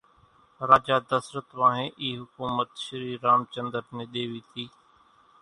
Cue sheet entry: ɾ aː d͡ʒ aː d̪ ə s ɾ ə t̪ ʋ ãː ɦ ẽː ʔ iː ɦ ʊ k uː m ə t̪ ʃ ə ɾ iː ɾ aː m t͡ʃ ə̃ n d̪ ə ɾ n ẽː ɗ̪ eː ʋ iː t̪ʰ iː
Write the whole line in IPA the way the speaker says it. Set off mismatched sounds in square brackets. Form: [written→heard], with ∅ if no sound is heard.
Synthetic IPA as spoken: ɾ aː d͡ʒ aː d̪ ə s ɾ ə t̪ ʋ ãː ɦ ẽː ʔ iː ɦ ʊ k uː m ə t̪ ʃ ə ɾ iː ɾ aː m t͡ʃ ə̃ n d̪ ə ɾ n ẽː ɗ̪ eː ʋ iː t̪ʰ iː